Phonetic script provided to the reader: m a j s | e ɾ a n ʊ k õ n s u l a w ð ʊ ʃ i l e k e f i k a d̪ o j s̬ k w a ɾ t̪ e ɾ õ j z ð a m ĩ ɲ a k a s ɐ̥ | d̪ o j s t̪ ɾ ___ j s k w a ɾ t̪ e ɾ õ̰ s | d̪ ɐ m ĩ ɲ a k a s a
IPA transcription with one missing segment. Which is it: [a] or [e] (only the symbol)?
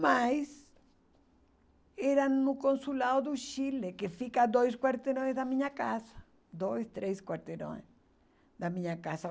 e